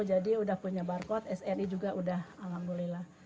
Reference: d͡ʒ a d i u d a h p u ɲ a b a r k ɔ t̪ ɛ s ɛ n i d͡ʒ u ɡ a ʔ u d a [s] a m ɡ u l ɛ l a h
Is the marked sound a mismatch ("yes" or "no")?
yes